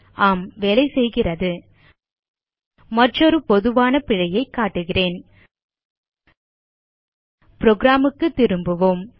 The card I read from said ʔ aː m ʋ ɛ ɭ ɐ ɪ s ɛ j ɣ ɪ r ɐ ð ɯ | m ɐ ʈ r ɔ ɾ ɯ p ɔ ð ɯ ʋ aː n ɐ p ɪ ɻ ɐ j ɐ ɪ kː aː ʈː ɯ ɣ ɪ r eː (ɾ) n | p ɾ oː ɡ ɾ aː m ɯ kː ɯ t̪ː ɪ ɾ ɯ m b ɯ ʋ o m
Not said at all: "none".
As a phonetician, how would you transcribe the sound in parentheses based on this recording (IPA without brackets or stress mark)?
none